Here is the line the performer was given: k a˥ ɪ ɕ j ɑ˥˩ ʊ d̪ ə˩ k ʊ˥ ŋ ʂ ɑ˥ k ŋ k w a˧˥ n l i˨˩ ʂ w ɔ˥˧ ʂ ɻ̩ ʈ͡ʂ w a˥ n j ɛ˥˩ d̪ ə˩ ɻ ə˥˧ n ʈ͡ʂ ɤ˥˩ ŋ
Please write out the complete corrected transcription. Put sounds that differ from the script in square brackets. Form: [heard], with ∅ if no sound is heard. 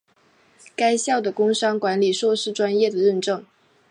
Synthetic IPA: k a˥ ɪ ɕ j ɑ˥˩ ʊ d̪ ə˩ k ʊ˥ ŋ ʂ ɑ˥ [∅] ŋ k w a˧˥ n l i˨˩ ʂ w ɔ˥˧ ʂ ɻ̩ ʈ͡ʂ w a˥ n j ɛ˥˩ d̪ ə˩ ɻ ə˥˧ n ʈ͡ʂ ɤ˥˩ ŋ